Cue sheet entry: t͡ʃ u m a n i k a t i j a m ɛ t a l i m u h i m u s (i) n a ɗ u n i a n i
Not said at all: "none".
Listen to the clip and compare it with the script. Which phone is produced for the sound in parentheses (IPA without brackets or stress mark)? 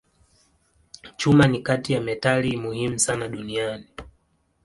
a